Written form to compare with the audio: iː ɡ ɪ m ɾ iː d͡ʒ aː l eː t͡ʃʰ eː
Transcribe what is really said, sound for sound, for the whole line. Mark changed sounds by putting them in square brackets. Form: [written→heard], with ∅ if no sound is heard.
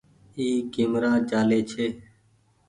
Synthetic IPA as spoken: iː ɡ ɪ m ɾ [iː→aː] d͡ʒ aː l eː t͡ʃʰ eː